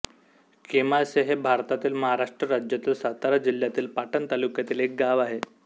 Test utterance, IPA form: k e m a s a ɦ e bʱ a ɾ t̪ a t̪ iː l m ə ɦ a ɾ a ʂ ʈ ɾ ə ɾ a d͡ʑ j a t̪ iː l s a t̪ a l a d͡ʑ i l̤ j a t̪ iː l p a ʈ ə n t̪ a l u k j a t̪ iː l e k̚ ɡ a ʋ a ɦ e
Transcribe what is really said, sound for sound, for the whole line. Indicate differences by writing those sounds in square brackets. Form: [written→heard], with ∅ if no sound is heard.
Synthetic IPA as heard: k e m a s [a→e] ɦ e bʱ a ɾ t̪ a t̪ iː l m ə ɦ a ɾ a ʂ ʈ ɾ ə ɾ a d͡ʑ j a t̪ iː l s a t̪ a [l→ɾ] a d͡ʑ i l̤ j a t̪ iː l p a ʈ ə n t̪ a l u k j a t̪ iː l e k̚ ɡ a ʋ a ɦ e

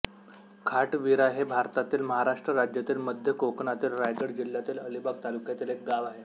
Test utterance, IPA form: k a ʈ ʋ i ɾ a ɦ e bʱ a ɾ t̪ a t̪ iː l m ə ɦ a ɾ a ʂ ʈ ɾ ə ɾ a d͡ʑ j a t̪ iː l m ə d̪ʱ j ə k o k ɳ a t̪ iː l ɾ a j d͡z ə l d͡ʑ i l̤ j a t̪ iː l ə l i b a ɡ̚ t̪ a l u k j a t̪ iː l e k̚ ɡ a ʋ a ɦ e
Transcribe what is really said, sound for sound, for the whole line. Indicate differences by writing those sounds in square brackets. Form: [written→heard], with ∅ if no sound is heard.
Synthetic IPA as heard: [k→kʰ] a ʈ ʋ i ɾ a ɦ e bʱ a ɾ t̪ a t̪ iː l m ə ɦ a ɾ a ʂ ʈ ɾ ə ɾ a d͡ʑ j a t̪ iː l m ə d̪ʱ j ə k o k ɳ a t̪ iː l ɾ a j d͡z ə [l→ɽ] d͡ʑ i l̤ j a t̪ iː l ə l i b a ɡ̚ t̪ a l u k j a t̪ iː l e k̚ ɡ a ʋ a ɦ e

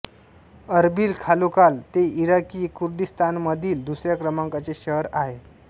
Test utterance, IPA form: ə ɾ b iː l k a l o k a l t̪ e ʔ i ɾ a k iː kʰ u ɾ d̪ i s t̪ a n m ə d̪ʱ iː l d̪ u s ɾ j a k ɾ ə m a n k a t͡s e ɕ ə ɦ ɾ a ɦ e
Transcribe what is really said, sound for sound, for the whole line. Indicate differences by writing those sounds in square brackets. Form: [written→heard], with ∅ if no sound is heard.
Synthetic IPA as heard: ə ɾ b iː l [k→kʰ] a l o k a l t̪ e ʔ i ɾ a k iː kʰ u ɾ d̪ i s t̪ a n m ə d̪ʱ iː l d̪ u s ɾ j a k ɾ ə m a [n→ŋ] k a t͡s e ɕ ə ɦ ɾ a ɦ e

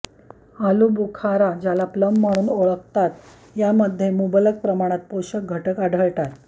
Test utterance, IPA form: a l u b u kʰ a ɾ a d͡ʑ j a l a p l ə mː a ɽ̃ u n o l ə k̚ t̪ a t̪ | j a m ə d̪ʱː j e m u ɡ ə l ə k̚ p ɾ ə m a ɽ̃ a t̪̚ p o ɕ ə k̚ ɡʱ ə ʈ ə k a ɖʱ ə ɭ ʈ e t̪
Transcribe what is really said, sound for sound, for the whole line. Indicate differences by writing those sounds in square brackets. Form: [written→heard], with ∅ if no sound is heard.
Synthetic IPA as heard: a l u b u kʰ a ɾ a d͡ʑ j a l a p l ə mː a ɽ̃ [u→uː] n o [l→ɭ] ə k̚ t̪ a t̪ | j a m ə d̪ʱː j e m u [ɡ→b] ə l ə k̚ p ɾ ə m a ɽ̃ a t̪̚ p o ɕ ə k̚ ɡʱ ə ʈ ə k a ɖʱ ə ɭ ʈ [e→a] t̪

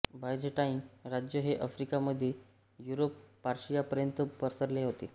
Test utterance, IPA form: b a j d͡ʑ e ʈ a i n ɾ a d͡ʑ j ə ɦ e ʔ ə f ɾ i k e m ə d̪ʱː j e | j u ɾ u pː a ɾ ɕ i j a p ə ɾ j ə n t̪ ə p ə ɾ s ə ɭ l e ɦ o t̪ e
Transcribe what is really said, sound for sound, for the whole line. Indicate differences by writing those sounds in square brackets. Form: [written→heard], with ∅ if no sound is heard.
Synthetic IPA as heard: b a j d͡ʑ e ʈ a i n ɾ a d͡ʑ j ə ɦ e ʔ ə f ɾ i k [e→a] m ə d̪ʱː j e | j u ɾ [u→o] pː a ɾ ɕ i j a p ə ɾ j ə n t̪ ə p ə ɾ s ə [ɭ→ɾ] l e ɦ o t̪ e

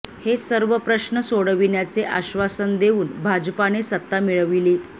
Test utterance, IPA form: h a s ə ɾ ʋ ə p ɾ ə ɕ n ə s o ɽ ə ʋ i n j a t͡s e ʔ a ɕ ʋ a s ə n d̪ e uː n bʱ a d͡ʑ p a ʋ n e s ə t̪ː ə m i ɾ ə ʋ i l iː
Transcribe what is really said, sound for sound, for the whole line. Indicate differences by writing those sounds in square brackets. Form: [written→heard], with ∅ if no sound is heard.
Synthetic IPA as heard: h [a→e] s ə ɾ ʋ ə p ɾ ə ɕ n ə s o ɽ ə ʋ i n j a t͡s e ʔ a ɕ ʋ a s ə n d̪ e uː n bʱ a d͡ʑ p a [ʋ→∅] n e s ə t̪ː [ə→a] m i [ɾ→ɭ] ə ʋ i l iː

